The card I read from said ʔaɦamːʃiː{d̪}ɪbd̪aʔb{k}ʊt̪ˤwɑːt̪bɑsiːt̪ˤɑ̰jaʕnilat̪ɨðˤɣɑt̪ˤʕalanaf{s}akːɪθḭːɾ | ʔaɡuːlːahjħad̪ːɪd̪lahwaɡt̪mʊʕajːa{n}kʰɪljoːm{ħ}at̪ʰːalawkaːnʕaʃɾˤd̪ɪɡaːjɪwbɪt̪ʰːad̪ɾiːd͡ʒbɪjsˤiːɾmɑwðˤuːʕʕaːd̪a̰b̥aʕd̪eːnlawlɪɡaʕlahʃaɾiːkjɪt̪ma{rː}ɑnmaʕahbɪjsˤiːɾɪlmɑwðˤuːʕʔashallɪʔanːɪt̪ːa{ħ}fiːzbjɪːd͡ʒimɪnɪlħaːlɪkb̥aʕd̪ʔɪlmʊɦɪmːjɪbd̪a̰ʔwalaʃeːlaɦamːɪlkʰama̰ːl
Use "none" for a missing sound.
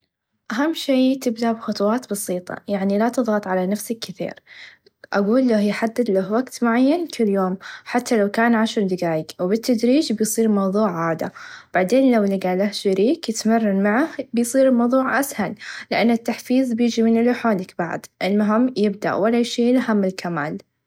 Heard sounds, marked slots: t̪, x, s, n, ħ, rː, ħ

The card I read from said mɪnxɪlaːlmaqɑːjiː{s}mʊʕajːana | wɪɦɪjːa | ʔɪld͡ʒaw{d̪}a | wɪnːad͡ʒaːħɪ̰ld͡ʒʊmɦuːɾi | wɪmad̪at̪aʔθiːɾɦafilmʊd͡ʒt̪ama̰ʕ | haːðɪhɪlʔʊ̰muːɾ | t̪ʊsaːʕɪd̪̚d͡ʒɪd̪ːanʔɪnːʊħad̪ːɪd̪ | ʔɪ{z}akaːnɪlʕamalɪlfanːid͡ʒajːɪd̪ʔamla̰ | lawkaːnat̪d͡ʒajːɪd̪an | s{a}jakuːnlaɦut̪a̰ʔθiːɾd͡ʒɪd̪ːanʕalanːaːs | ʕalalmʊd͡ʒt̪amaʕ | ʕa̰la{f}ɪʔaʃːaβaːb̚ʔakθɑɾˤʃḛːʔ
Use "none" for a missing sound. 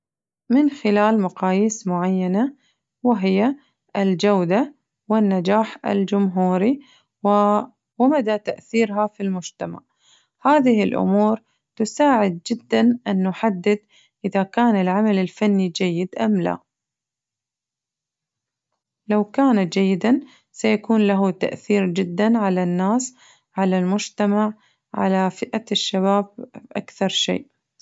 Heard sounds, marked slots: s, d̪, ð, a, f

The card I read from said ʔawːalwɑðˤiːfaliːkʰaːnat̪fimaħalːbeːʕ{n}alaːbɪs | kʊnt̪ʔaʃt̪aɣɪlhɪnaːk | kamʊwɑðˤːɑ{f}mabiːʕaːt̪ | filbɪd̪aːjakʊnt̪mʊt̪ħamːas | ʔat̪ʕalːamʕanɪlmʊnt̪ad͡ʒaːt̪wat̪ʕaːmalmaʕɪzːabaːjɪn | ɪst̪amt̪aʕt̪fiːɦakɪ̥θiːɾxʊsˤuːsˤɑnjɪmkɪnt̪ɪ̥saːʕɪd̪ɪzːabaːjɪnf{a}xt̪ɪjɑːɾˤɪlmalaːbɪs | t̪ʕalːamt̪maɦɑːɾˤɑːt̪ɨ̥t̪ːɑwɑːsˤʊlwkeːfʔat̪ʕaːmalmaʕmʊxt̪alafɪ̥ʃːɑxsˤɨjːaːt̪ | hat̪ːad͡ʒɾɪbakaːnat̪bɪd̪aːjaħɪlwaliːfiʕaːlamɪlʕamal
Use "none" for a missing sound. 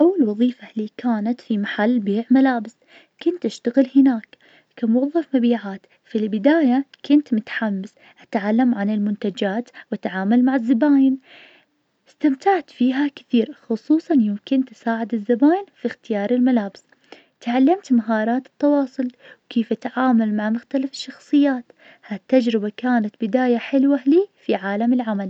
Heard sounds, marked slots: m, f, i

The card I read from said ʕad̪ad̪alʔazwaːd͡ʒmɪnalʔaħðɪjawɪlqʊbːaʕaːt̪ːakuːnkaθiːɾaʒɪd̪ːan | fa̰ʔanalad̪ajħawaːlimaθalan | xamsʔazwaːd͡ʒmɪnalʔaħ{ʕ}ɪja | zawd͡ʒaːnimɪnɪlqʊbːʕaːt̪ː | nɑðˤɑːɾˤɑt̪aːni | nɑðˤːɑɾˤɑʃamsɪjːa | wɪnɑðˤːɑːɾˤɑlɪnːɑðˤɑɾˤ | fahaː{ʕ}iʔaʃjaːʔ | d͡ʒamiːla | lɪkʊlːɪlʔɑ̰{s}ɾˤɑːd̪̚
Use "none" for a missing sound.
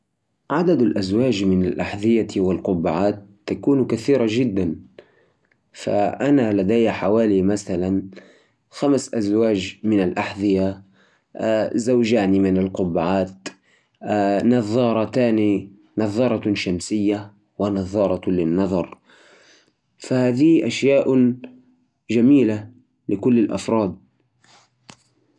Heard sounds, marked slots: ð, ð, f

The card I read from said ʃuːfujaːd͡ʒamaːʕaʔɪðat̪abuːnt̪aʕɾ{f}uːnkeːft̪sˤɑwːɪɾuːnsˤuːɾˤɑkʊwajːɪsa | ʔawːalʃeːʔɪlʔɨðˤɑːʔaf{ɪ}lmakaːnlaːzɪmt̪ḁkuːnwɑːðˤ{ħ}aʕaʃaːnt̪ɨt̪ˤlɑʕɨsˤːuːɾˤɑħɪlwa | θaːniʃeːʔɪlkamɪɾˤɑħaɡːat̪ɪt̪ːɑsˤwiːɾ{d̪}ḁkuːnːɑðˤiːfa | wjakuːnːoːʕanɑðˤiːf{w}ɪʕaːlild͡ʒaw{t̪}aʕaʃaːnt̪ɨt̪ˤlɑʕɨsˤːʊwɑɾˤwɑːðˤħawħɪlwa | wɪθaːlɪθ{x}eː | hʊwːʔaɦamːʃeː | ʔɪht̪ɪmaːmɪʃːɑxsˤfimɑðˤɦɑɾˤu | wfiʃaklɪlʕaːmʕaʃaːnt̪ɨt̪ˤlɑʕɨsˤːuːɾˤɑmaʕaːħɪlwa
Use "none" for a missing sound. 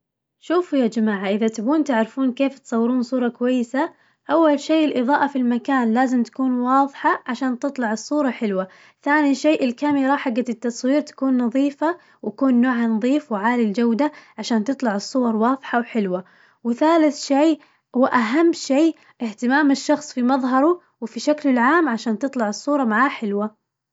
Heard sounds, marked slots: f, i, ħ, t̪, w, d̪, ʃ

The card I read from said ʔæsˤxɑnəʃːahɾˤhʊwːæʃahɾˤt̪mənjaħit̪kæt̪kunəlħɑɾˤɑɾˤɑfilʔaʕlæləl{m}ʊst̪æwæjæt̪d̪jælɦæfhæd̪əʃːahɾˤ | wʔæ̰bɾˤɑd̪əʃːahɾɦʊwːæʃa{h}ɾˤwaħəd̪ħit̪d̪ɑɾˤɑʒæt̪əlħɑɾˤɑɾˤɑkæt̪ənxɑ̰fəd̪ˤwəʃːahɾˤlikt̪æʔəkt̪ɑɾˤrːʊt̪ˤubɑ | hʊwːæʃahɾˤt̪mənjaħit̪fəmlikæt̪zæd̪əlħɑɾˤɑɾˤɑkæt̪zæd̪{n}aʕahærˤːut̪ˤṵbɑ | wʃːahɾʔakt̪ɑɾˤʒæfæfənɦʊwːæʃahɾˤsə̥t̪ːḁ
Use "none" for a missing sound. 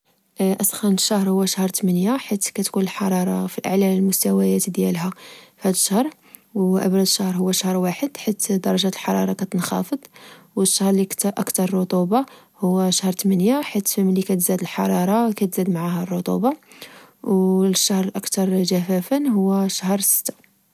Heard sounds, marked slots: m, h, m

